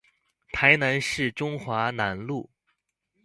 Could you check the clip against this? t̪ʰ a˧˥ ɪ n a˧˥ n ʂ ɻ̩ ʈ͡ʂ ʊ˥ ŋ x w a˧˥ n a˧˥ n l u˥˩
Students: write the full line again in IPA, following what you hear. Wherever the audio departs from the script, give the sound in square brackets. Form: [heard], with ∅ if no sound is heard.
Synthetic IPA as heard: t̪ʰ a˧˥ ɪ n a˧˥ n ʂ ɻ̩ ʈ͡ʂ ʊ˥ ŋ x w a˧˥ n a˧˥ n l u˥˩

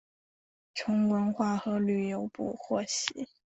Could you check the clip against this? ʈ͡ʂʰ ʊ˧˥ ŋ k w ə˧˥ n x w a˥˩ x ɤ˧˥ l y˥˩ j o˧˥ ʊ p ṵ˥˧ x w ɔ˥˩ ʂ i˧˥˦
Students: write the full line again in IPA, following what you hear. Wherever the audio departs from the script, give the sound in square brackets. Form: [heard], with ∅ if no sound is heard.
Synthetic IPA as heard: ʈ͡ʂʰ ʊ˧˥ ŋ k w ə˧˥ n x w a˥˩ x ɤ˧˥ l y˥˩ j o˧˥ ʊ p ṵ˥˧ x w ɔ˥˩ [ɕ] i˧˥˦

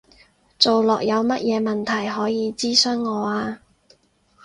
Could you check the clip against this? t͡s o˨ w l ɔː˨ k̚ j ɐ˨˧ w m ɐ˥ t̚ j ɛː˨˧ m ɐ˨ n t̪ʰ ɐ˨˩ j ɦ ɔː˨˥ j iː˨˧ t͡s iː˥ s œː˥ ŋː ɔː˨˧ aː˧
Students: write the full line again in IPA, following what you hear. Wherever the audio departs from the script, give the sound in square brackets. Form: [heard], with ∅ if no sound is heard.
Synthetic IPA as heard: t͡s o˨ w l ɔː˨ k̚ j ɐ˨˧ w m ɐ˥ t̚ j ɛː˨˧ m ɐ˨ n t̪ʰ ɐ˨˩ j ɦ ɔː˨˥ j iː˨˧ t͡s iː˥ s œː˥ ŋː ɔː˨˧ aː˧

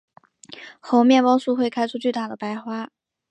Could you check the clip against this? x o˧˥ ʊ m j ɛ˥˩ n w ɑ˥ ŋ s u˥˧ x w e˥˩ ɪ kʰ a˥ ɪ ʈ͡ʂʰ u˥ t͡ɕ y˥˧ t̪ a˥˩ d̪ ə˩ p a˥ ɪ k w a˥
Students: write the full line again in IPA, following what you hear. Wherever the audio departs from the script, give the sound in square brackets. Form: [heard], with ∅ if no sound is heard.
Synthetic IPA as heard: x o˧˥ ʊ m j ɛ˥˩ n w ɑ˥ ŋ s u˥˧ x w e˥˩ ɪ kʰ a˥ ɪ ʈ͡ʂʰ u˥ t͡ɕ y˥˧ t̪ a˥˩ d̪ ə˩ p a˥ ɪ [x] w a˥

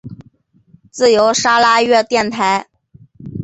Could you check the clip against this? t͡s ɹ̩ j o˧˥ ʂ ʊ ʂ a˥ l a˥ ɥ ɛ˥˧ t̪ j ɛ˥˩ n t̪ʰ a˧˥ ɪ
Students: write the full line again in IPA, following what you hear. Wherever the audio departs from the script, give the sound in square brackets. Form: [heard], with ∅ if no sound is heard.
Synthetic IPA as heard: t͡s ɹ̩ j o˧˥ [∅] ʊ ʂ a˥ l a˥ ɥ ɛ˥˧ t̪ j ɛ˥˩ n t̪ʰ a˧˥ ɪ

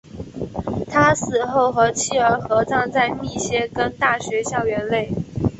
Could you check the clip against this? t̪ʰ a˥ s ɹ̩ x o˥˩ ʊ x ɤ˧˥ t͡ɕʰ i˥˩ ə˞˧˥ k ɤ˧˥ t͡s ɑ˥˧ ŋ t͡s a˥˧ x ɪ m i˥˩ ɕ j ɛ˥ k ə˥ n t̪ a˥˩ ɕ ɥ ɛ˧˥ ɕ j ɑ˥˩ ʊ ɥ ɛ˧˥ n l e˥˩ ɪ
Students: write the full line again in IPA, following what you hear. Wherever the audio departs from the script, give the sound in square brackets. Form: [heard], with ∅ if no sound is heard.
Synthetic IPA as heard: t̪ʰ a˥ s ɹ̩ x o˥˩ ʊ x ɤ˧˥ t͡ɕʰ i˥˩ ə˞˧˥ [x] ɤ˧˥ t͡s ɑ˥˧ ŋ t͡s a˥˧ [∅] ɪ m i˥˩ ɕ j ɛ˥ k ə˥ n t̪ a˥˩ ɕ ɥ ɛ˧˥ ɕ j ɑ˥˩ ʊ ɥ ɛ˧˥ n l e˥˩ ɪ

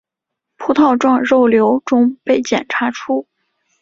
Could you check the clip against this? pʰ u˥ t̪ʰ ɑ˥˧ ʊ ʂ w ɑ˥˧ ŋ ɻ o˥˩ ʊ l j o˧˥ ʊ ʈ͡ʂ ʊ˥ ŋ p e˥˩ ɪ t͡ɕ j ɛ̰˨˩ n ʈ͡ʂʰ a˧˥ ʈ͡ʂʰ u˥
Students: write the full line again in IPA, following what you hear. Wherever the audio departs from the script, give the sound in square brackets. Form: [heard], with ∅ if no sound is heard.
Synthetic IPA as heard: pʰ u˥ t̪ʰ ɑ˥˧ ʊ [ʈ͡ʂ] w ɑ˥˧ ŋ ɻ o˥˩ ʊ l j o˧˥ ʊ ʈ͡ʂ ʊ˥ ŋ p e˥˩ ɪ t͡ɕ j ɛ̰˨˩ n ʈ͡ʂʰ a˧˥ ʈ͡ʂʰ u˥

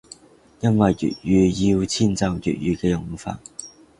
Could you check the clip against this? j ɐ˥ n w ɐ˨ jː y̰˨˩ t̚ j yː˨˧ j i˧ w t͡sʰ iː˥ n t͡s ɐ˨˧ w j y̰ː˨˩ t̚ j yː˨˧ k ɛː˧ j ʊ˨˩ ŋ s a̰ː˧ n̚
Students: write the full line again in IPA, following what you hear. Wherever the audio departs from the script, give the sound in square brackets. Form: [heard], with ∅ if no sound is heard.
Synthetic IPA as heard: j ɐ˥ n w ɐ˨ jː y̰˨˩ t̚ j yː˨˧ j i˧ w t͡sʰ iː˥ n t͡s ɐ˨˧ w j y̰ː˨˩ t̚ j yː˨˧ k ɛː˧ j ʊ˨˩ ŋ [f] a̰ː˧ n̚

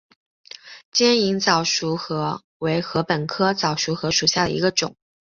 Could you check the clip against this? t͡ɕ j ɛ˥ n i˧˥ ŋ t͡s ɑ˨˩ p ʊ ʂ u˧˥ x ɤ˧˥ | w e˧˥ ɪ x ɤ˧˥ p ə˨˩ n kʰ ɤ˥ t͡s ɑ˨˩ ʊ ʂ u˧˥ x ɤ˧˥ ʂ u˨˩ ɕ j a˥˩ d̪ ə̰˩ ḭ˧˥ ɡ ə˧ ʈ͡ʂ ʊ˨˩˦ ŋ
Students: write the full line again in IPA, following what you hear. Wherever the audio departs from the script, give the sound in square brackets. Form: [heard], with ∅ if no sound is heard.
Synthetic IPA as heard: t͡ɕ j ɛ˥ n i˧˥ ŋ t͡s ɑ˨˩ [∅] ʊ ʂ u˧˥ x ɤ˧˥ | w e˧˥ ɪ x ɤ˧˥ p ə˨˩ n kʰ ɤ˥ t͡s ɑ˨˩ ʊ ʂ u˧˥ x ɤ˧˥ ʂ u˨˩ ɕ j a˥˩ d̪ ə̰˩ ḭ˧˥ ɡ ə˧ ʈ͡ʂ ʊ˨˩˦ ŋ

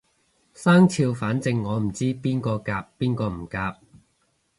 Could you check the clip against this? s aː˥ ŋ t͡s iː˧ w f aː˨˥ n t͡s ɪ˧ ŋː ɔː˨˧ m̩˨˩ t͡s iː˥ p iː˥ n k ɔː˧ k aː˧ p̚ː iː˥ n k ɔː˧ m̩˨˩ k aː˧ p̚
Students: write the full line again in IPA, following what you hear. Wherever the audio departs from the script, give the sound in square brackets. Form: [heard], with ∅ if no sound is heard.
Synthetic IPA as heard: s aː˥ ŋ [t͡sʰ] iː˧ w f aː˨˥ n t͡s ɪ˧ ŋː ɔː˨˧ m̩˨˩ t͡s iː˥ p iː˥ n k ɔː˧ k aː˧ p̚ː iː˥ n k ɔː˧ m̩˨˩ k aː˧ p̚

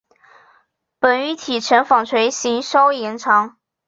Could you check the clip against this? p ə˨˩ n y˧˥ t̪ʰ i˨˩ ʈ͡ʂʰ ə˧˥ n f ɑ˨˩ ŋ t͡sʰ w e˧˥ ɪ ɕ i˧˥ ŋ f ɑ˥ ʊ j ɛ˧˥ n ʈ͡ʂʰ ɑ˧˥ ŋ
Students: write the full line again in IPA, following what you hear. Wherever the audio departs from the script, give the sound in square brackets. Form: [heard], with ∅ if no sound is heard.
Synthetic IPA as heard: p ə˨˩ n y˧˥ t̪ʰ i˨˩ ʈ͡ʂʰ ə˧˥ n f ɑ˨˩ ŋ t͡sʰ w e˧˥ ɪ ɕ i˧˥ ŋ [ʂ] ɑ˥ ʊ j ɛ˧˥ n ʈ͡ʂʰ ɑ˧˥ ŋ

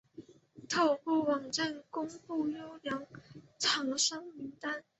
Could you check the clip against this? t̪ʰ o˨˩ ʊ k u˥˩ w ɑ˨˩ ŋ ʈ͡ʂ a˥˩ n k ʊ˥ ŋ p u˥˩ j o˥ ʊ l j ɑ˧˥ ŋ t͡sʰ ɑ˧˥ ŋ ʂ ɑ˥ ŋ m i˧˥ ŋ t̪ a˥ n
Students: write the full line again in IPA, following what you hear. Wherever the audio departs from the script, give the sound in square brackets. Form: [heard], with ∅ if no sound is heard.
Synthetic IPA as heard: t̪ʰ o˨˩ ʊ [p] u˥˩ w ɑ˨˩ ŋ ʈ͡ʂ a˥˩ n k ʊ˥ ŋ p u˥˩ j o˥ ʊ l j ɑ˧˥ ŋ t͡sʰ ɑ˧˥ ŋ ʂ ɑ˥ ŋ m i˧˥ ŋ t̪ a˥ n

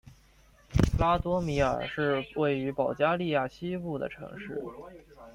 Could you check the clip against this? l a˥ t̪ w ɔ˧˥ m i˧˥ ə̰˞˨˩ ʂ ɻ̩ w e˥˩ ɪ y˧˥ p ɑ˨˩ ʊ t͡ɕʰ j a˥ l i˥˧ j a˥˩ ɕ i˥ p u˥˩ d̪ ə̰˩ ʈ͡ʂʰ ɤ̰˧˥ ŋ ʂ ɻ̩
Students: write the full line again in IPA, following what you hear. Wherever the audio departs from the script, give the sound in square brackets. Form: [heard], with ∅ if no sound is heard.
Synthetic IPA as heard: l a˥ t̪ w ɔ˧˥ m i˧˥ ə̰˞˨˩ ʂ ɻ̩ w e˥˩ ɪ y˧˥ p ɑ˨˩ ʊ [t͡ɕ] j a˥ l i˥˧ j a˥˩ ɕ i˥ p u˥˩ d̪ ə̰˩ ʈ͡ʂʰ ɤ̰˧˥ ŋ ʂ ɻ̩

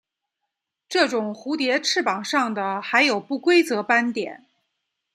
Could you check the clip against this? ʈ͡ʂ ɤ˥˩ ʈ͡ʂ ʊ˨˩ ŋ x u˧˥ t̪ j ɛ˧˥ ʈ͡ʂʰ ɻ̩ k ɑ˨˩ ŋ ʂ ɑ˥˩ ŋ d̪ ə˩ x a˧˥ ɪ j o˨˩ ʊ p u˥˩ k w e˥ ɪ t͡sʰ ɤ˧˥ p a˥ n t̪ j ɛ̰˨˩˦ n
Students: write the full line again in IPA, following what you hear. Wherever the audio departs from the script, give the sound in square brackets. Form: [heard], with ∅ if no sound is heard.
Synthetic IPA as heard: ʈ͡ʂ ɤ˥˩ ʈ͡ʂ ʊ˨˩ ŋ x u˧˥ t̪ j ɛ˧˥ ʈ͡ʂʰ ɻ̩ [p] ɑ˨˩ ŋ ʂ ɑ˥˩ ŋ d̪ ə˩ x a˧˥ ɪ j o˨˩ ʊ p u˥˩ k w e˥ ɪ [t͡s] ɤ˧˥ p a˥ n t̪ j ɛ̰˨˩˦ n

